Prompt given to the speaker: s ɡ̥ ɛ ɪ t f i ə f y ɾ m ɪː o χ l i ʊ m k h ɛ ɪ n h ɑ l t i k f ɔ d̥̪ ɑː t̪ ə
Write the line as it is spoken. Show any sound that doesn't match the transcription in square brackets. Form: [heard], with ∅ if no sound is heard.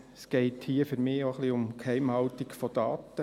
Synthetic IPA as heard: s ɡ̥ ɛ ɪ t [h] i ə f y ɾ m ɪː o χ l i ʊ m k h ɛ ɪ [m] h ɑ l t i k f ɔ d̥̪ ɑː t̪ ə